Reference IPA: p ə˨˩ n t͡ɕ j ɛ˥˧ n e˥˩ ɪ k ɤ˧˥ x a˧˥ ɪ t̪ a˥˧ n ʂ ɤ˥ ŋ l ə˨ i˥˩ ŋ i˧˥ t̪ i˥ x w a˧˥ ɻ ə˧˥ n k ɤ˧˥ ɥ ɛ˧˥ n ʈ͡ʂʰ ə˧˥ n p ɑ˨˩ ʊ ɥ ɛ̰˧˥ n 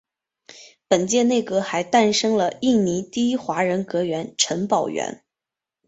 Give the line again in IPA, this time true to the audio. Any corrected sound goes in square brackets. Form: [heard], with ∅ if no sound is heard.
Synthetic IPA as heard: p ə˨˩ n t͡ɕ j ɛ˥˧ n e˥˩ ɪ k ɤ˧˥ x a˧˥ ɪ t̪ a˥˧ n ʂ ɤ˥ ŋ l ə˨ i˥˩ [n] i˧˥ t̪ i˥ x w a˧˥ ɻ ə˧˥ n k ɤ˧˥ ɥ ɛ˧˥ n ʈ͡ʂʰ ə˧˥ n p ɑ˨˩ ʊ ɥ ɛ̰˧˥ n